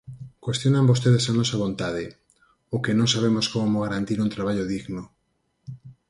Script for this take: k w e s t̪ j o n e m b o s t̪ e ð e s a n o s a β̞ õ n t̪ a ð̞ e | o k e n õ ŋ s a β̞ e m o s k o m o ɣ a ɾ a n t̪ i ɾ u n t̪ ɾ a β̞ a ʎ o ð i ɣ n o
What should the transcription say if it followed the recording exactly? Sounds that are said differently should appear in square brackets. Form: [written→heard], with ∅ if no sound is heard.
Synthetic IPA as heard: k w e s t̪ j o n [e→a] m b o s t̪ e ð e s a n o s a β̞ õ n t̪ a ð̞ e | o k e n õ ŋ s a β̞ e m o s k o m o ɣ a ɾ a n t̪ i ɾ u n t̪ ɾ a β̞ a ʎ o ð i ɣ n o